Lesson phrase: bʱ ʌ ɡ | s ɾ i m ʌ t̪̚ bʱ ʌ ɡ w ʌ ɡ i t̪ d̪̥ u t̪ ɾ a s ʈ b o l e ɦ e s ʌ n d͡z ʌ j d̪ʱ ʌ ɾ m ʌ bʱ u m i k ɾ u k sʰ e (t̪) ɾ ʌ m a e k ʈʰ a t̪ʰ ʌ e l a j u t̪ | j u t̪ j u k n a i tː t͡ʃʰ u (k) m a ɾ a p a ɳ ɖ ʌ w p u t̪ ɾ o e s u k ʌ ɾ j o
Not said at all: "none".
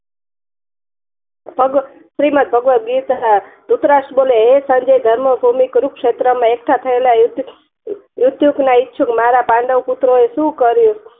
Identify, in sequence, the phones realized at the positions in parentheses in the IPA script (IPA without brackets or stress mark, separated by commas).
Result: t̪, k